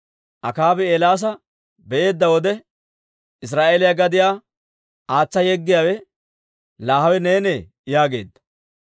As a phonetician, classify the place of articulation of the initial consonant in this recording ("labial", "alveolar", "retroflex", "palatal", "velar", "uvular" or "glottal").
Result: glottal